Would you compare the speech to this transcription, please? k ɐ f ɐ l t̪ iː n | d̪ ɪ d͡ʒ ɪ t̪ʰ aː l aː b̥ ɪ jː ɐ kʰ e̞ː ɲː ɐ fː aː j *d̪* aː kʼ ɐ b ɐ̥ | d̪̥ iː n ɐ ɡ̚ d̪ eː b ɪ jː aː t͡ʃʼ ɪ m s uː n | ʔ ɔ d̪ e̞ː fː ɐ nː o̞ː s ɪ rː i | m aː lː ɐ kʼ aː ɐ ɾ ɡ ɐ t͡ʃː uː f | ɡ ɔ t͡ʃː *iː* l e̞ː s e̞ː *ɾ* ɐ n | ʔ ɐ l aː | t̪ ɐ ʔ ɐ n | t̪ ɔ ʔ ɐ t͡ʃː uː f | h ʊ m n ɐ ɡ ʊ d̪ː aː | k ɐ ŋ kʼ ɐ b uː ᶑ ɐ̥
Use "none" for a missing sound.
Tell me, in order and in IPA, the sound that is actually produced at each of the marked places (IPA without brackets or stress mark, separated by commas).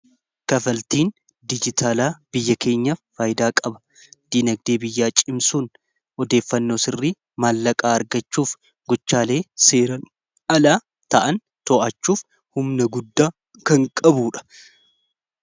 d̪, aː, ɾ